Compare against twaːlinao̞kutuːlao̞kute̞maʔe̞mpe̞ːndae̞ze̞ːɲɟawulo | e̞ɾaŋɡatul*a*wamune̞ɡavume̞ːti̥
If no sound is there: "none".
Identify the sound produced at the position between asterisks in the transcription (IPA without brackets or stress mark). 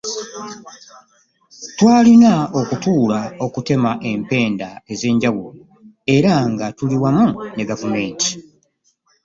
i